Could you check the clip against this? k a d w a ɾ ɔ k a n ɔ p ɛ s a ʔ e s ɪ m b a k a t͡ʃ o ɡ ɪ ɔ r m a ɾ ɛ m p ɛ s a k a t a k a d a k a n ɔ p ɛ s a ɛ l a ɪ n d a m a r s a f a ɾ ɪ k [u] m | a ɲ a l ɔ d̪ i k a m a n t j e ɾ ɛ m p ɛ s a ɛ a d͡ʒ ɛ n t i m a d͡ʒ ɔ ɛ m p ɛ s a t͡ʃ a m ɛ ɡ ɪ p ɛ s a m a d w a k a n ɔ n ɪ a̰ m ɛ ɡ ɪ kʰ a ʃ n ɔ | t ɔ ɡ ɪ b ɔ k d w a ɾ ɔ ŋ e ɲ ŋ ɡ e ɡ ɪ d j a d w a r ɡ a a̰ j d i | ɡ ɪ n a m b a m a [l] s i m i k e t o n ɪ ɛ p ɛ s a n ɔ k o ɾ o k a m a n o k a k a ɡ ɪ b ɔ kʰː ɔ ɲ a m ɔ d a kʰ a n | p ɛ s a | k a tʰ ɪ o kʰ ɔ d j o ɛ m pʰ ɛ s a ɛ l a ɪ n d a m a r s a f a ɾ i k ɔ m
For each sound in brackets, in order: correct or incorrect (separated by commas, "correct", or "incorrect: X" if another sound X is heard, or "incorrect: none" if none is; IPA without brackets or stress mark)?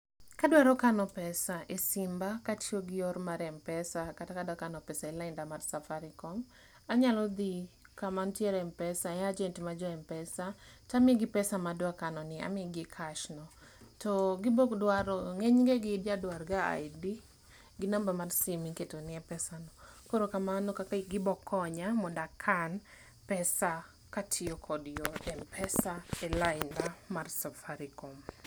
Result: incorrect: ɔ, incorrect: r